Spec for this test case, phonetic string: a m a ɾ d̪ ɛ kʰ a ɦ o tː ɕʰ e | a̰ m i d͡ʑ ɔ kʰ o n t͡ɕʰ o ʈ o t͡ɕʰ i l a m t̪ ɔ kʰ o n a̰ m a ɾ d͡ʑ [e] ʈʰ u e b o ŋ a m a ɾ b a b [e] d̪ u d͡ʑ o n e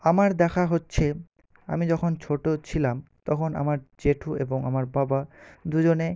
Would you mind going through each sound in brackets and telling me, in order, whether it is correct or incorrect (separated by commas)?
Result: correct, incorrect